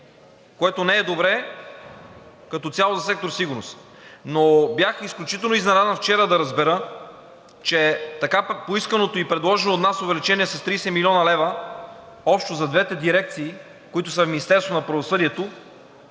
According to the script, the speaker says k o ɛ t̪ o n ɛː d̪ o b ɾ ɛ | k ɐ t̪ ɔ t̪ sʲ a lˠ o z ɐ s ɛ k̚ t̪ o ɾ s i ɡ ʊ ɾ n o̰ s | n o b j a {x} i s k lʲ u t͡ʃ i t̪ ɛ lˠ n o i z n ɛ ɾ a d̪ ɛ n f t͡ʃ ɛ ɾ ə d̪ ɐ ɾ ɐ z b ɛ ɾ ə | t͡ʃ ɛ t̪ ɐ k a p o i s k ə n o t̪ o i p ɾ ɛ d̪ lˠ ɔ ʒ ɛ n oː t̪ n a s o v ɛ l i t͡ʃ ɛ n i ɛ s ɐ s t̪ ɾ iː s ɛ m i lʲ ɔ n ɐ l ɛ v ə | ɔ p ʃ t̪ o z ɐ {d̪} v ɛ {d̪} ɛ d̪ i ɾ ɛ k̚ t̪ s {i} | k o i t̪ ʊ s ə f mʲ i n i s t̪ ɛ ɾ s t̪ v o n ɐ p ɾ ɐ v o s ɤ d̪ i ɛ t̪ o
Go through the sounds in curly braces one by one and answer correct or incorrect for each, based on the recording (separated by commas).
correct, correct, incorrect, incorrect